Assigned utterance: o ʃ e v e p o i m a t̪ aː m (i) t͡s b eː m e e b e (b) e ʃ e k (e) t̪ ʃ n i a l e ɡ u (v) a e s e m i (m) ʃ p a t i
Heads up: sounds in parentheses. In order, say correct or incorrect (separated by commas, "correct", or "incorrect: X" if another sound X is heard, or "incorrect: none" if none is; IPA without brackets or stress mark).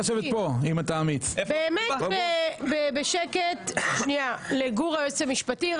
correct, correct, correct, incorrect: ʁ, incorrect: none